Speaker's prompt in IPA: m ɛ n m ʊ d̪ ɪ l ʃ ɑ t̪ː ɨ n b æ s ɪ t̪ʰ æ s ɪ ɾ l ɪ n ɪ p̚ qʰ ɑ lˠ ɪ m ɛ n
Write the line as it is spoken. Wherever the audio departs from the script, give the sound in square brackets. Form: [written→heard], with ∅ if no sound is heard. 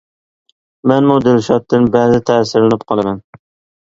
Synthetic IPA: m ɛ n m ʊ d̪ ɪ l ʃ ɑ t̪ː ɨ n b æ [s→z] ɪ t̪ʰ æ s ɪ ɾ l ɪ n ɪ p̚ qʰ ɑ lˠ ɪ m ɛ n